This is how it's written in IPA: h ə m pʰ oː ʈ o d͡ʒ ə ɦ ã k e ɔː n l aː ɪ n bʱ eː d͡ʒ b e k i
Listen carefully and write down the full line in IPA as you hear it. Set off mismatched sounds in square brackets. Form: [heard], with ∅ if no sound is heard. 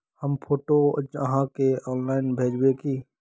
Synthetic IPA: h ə m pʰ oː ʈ o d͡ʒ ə ɦ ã k e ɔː n l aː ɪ n bʱ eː d͡ʒ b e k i